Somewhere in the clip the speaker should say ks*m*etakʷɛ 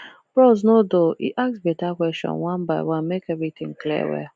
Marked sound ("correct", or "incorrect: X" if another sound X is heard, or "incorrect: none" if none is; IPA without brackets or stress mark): incorrect: b